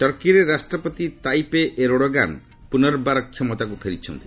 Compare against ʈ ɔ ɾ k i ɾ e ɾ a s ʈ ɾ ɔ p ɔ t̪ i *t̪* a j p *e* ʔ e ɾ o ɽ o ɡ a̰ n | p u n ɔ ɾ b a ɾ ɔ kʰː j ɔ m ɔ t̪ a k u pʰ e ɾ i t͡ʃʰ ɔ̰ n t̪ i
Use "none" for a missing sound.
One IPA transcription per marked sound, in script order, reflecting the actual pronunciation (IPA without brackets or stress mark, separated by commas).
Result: t̪, e